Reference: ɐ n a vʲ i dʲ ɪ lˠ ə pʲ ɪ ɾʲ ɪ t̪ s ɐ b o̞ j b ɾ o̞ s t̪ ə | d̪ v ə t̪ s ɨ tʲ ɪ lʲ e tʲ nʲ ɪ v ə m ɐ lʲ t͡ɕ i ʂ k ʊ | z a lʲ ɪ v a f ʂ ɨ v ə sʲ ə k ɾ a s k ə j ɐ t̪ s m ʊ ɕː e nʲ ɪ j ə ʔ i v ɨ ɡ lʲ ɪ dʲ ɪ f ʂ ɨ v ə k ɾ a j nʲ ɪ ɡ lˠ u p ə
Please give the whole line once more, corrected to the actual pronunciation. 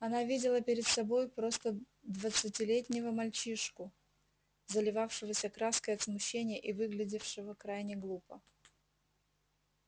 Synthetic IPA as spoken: ɐ n a vʲ i dʲ ɪ lˠ ə pʲ ɪ ɾʲ ɪ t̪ s ɐ b o̞ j p ɾ o̞ s t̪ ə | d̪ v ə t̪ s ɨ tʲ ɪ lʲ e tʲ nʲ ɪ v ə m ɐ lʲ t͡ɕ i ʂ k ʊ | z ə lʲ ɪ v a f ʂ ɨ v ə sʲ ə k ɾ a s k ə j ɐ t̪ s m ʊ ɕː e nʲ ɪ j ə ʔ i v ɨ ɡ lʲ ɪ dʲ ɪ f ʂ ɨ v ə k ɾ a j nʲ ɪ ɡ lˠ u p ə

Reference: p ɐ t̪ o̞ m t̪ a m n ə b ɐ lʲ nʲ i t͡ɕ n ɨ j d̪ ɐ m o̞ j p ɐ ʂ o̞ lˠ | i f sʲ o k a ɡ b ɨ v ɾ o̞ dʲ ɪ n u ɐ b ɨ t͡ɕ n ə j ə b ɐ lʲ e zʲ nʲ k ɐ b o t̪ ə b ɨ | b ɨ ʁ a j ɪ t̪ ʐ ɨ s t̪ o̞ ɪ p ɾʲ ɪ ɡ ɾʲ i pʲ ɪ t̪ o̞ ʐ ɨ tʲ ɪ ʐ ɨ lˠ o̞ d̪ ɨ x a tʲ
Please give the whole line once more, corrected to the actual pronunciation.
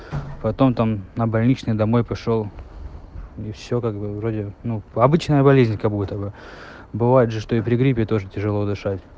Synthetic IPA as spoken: p ɐ t̪ o̞ m t̪ a m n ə b ɐ lʲ nʲ i t͡ɕ n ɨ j d̪ ɐ m o̞ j p ɐ ʂ o̞ lˠ | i f sʲ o k a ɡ b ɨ v ɾ o̞ dʲ ɪ n u ɐ b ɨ t͡ɕ n ə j ə b ɐ lʲ e zʲ nʲ k ɐ b u t̪ ə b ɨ | b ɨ v a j ɪ t̪ ʐ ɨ ʂ t̪ o̞ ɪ p ɾʲ ɪ ɡ ɾʲ i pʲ ɪ t̪ o̞ ʐ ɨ tʲ ɪ ʐ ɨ lˠ o̞ d̪ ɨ ʂ a tʲ

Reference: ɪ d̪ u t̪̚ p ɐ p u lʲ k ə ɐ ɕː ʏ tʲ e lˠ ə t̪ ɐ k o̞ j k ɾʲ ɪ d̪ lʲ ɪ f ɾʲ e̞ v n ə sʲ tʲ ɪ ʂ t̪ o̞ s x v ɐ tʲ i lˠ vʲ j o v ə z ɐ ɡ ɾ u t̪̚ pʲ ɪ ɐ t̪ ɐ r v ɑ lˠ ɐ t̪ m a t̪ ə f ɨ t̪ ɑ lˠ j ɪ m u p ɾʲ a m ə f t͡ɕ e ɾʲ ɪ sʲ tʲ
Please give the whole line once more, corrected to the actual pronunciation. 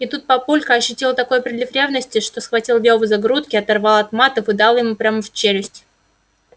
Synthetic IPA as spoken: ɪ t̪ u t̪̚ p ɐ p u lʲ k ə ɐ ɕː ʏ tʲ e lˠ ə t̪ ɐ k o̞ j p ɾʲ ɪ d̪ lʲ ɪ f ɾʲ e̞ v n ə sʲ tʲ ɪ ʂ t̪ o̞ s x v ɐ tʲ i lˠ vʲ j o v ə z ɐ ɡ ɾ u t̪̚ kʲ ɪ ɐ t̪ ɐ r v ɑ lˠ ɐ t̪ m a t̪ ə f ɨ d̪ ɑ lˠ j ɪ m u p ɾʲ a m ə f t͡ɕ e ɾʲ ɪ sʲ tʲ

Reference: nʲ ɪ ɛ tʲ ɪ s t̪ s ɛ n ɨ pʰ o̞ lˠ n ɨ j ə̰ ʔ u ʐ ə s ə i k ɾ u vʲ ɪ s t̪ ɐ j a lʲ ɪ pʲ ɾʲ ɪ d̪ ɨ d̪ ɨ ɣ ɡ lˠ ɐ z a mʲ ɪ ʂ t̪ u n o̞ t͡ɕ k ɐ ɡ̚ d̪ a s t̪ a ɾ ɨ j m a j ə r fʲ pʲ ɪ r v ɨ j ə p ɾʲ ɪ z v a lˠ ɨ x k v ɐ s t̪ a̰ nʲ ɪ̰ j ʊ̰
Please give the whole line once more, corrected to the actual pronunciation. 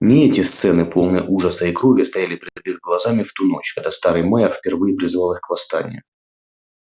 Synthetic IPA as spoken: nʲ ɪ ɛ tʲ ɪ s t̪ s ɛ n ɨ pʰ o̞ lˠ n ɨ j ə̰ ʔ u ʐ ə s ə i k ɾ u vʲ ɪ s t̪ ɐ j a lʲ ɪ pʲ ɾʲ ɪ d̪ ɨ d̪ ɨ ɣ ɡ lˠ ɐ z a mʲ ɪ f t̪ u n o̞ t͡ɕ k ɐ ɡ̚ d̪ a s t̪ a ɾ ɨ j m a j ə r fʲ pʲ ɪ r v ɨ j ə p ɾʲ ɪ z v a lˠ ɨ x k v ɐ s t̪ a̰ nʲ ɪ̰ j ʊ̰

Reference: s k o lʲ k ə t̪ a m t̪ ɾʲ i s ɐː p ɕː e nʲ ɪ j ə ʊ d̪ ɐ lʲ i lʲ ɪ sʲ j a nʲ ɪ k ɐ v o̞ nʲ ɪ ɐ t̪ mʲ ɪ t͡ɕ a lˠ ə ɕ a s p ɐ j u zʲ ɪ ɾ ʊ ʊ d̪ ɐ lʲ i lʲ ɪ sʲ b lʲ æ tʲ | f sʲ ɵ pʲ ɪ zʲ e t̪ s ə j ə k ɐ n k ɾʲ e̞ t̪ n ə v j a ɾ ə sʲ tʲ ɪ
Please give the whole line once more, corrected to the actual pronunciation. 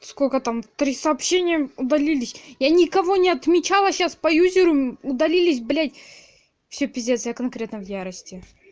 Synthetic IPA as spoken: s k o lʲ k ə t̪ a m t̪ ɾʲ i s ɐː p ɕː e nʲ ɪ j ə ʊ d̪ ɐ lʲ i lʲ ɪ sʲ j a nʲ ɪ k ɐ v o̞ nʲ ɪ ɐ t̪ mʲ ɪ t͡ɕ a lˠ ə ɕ a s p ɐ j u zʲ ɪ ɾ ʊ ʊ d̪ ɐ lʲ i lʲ ɪ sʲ b lʲ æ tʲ | f sʲ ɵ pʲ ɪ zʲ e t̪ s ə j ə k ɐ n k ɾʲ e̞ t̪ n ə v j a ɾ ə sʲ tʲ ɪ

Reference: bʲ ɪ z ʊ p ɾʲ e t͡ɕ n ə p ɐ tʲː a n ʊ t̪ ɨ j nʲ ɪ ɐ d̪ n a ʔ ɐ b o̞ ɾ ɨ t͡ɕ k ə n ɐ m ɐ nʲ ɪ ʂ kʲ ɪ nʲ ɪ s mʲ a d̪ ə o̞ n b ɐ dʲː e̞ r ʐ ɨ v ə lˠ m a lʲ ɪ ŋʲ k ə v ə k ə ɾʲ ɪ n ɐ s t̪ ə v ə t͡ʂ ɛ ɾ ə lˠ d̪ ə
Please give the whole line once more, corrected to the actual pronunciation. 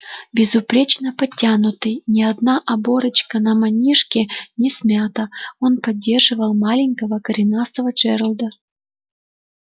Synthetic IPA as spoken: bʲ ɪ z ʊ p ɾʲ e t͡ɕ n ə p ɐ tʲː a n ʊ t̪ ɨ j nʲ ɪ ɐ d̪ n a ʔ ɐ b o̞ ɾ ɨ t͡ɕ k ə n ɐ m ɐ nʲ i ʂ kʲ ɪ nʲ ɪ s mʲ a t̪ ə o̞ n p ɐ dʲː e̞ r ʐ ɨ v ə lˠ m a lʲ ɪ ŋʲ k ə v ə k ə ɾʲ ɪ n a s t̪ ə v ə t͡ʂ ɛ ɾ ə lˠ d̪ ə

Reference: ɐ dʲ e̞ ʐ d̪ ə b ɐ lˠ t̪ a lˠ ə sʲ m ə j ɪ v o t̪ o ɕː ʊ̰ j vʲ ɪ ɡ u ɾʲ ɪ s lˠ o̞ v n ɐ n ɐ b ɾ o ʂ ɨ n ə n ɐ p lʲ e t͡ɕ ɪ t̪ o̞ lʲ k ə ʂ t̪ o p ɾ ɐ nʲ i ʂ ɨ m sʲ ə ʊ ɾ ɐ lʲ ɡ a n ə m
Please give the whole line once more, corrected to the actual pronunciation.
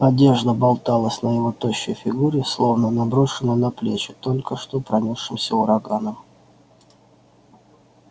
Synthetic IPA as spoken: ɐ dʲ e̞ ʐ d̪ ə b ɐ lˠ t̪ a lˠ ə sʲ n ə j ɪ v o t̪ o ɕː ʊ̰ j fʲ ɪ ɡ u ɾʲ ɪ s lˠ o̞ v n ə n ɐ b ɾ o ʂ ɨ n ə n ɐ p lʲ e t͡ɕ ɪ t̪ o̞ lʲ k ə ʂ t̪ o p ɾ ɐ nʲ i ʂ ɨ m sʲ ə ʊ ɾ ɐ ɡ a n ə m

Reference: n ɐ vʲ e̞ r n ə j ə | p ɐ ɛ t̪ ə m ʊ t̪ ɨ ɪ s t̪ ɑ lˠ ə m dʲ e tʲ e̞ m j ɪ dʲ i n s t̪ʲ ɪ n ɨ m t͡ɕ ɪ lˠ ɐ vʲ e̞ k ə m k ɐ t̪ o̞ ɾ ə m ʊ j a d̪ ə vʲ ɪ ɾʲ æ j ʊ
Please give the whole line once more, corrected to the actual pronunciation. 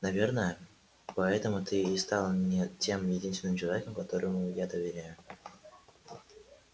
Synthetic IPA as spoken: n ɐ vʲ e̞ r n ə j ə | p ɐ ɛ t̪ ə m ʊ t̪ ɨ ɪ s t̪ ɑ lˠ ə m nʲ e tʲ e̞ m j ɪ dʲ i n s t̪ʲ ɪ n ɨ m t͡ɕ ɪ lˠ ɐ vʲ e̞ k ə m k ɐ t̪ o̞ ɾ ə m ʊ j a d̪ ə vʲ ɪ ɾʲ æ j ʊ

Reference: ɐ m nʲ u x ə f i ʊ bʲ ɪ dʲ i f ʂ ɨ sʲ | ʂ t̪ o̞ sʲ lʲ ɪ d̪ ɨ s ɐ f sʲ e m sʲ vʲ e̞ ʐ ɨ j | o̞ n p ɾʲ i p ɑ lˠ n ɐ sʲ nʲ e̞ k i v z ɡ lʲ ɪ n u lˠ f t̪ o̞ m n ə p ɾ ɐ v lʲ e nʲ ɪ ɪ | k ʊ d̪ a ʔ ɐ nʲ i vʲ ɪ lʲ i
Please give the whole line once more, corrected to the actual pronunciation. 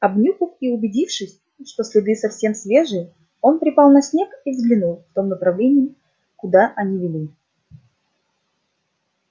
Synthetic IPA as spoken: ɐ b nʲ u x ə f i ʊ bʲ ɪ dʲ i f ʂ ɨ sʲ | ʂ t̪ o̞ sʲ lʲ ɪ d̪ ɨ s ɐ f sʲ e m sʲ vʲ e̞ ʐ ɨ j | o̞ n p ɾʲ ɪ p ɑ lˠ n ɐ sʲ nʲ e̞ k i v z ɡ lʲ ɪ n u lˠ f t̪ o̞ m n ə p ɾ ɐ v lʲ e nʲ ɪ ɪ | k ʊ d̪ a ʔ ɐ nʲ i vʲ ɪ lʲ i

